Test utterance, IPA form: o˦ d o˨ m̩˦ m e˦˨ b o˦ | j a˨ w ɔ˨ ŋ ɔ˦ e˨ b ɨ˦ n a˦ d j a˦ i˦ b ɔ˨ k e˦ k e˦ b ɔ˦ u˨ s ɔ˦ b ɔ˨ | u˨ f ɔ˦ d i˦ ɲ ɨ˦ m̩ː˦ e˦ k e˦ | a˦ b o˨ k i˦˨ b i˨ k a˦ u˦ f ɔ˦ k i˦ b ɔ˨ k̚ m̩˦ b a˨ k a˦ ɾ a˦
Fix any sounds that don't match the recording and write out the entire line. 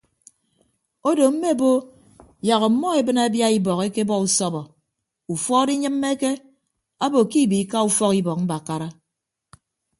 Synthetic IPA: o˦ d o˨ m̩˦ m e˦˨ b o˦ | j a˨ ɣ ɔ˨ m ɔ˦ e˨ b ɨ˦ n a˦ b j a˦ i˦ b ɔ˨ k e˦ k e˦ b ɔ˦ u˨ s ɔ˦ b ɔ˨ | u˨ f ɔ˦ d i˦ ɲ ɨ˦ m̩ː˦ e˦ k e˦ | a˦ b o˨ k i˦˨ b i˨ k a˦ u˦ f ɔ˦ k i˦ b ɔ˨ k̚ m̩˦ b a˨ k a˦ ɾ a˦